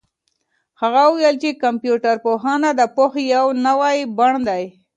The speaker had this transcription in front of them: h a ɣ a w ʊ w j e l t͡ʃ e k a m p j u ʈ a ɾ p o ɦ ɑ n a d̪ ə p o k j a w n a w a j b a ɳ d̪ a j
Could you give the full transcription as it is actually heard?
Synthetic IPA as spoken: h a ɣ a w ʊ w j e l t͡ʃ e k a m p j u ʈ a ɾ p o ɦ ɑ n a d̪ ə p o x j a w n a w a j b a ɳ d̪ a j

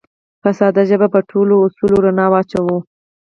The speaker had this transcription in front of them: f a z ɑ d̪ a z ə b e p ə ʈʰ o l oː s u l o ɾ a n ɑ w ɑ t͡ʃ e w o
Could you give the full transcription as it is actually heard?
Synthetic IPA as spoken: f a s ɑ d̪ a ʒ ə b a p ə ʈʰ o l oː s u l o ɾ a n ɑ w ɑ t͡ʃ a w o

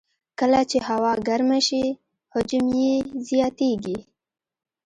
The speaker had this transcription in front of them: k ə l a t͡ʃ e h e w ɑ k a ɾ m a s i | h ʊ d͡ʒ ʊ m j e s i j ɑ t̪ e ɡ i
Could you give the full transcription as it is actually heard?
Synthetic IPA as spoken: k ə l a t͡ʃ e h a w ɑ ɡ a ɾ m a ʃ i | h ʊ d͡ʒ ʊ m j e z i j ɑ t̪ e ɡ i

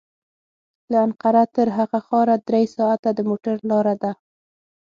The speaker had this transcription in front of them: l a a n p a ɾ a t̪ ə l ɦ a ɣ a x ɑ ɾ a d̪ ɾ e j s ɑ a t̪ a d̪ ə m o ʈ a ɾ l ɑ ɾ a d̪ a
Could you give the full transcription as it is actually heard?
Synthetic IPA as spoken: l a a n q a ɾ a t̪ ə ɾ ɦ a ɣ a x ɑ ɾ a d̪ ɾ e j s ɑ a t̪ a d̪ ə m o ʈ a ɾ l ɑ ɾ a d̪ a

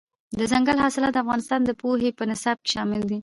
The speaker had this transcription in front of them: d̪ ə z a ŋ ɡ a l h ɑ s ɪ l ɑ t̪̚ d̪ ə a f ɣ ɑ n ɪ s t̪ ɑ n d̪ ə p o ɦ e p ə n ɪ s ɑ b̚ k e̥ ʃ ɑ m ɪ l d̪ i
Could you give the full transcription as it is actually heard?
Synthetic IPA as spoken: d̪ ə z a ŋ ɡ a l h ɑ s ɪ l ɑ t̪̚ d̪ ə a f ɣ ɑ n ɪ s t̪ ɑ n d̪ ə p o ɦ e p ə n ɪ s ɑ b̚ k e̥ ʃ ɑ m ɪ l d̪ i

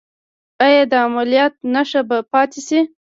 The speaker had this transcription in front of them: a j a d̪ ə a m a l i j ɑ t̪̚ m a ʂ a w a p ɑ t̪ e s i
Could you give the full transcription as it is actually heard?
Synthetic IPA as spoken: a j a d̪ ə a m a l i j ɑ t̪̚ n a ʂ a b a p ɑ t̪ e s i

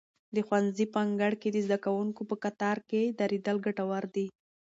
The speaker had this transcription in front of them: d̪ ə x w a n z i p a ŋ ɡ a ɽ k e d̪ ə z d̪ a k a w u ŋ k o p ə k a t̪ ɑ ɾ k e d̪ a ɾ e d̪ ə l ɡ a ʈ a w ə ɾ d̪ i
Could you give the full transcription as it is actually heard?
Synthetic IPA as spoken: d̪ ə x w a n z i p a ŋ ɡ a ɽ k e d̪ ə z d̪ a k a w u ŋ k o p ə k a t̪ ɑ ɾ k e d̪ a ɾ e d̪ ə l ɡ a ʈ a w a ɾ d̪ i

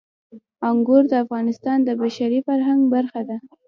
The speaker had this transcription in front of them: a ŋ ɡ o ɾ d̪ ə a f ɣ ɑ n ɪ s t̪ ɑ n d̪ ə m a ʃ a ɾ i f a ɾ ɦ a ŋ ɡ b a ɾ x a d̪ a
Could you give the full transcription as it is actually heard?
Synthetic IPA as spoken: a ŋ ɡ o ɾ d̪ ə a f ɣ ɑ n ɪ s t̪ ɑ n d̪ ə b a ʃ a ɾ i f a ɾ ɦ a ŋ ɡ b a ɾ x a d̪ a

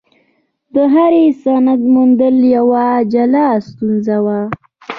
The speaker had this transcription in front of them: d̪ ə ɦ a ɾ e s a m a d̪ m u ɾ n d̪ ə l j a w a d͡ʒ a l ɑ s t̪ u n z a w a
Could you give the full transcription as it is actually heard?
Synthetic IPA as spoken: d̪ ə ɦ a ɾ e s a n a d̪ m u n d̪ ə l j a w a d͡ʒ a l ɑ s t̪ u n z a w a

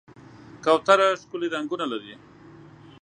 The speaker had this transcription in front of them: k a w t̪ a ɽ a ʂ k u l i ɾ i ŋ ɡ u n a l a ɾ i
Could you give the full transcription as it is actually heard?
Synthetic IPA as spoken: k a w t̪ a ɾ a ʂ k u l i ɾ a ŋ ɡ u n a l a ɾ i

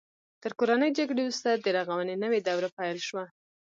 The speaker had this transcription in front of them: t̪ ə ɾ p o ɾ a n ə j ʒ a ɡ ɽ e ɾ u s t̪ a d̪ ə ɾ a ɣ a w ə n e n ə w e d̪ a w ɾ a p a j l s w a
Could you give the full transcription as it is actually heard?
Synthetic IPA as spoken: t̪ ə ɾ k o ɾ a n ə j d͡ʒ a ɡ ɽ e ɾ u s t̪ a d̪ ə ɾ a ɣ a w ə n e n ə w e d̪ a w ɾ a p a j l ʃ w a

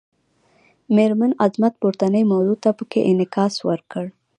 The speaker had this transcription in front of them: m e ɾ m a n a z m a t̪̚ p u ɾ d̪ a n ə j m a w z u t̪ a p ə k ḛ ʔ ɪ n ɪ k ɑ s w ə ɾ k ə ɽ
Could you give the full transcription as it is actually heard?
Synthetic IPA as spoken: m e ɾ m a n a z m a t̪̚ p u ɾ t̪ a n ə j m a w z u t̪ a p ə k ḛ ʔ ɪ n ɪ k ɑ s w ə ɾ k ə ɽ

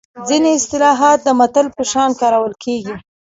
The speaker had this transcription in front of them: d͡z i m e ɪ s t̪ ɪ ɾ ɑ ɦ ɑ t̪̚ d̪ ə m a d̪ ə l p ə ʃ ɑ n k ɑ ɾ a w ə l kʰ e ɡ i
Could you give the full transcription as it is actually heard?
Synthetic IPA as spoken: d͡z i n e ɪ s t̪ ɪ l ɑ ɦ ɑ t̪̚ d̪ ə m a t̪ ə l p ə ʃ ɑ n k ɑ ɾ a w ə l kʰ e ɡ i

